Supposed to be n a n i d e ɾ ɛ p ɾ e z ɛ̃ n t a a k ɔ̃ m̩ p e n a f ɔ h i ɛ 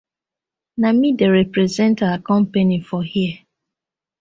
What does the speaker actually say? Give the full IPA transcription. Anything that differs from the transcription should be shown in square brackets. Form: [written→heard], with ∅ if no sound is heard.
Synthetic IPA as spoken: n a [n→m] i d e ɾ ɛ p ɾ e z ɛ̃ n t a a k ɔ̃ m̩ p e n [a→i] f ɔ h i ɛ